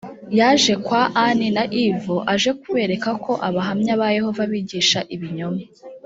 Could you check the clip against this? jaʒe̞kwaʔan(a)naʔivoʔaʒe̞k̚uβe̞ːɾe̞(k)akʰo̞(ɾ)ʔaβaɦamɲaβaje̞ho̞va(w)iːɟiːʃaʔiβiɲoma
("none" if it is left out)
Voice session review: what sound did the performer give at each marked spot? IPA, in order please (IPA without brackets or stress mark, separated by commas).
i, k, none, β